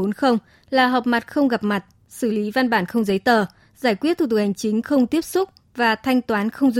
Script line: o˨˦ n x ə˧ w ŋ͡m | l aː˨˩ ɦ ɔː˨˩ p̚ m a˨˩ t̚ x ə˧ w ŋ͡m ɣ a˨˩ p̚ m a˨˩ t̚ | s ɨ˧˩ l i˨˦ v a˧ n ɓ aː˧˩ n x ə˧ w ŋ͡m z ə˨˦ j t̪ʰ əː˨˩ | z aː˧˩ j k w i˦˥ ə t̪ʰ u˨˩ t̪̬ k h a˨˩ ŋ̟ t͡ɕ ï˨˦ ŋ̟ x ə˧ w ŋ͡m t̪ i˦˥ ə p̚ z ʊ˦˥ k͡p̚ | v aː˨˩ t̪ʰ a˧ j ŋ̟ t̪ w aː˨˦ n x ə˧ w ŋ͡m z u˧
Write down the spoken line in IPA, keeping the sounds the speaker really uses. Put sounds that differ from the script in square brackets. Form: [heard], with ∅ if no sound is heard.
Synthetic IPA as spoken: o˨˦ n x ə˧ w ŋ͡m | l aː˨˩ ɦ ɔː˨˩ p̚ m a˨˩ t̚ x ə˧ w ŋ͡m ɣ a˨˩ p̚ m a˨˩ t̚ | s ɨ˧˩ l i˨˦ v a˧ n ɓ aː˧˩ n x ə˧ w ŋ͡m z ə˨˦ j [t̪] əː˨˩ | z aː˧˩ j k w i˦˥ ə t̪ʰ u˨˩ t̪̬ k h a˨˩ ŋ̟ t͡ɕ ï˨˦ ŋ̟ x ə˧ w ŋ͡m t̪ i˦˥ ə p̚ [s] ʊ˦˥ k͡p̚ | v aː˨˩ t̪ʰ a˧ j ŋ̟ t̪ w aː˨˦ n x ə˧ w ŋ͡m z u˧